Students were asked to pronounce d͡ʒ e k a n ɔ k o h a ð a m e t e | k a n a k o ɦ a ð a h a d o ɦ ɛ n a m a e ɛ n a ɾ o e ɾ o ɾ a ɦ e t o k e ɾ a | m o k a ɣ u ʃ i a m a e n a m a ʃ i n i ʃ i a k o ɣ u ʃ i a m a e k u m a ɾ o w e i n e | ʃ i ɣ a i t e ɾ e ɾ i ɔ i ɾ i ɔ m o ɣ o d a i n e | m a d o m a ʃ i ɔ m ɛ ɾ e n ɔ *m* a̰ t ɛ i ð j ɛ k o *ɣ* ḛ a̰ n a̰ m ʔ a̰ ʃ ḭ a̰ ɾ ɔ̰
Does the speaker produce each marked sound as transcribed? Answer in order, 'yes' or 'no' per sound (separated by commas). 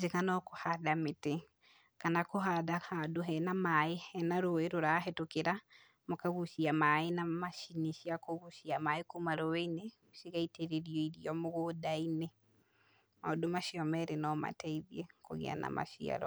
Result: yes, yes